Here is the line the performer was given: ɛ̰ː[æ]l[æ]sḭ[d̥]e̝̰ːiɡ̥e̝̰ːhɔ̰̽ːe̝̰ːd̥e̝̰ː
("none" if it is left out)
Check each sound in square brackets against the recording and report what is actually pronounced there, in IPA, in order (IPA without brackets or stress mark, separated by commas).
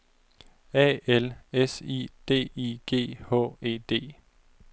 e, e, d̥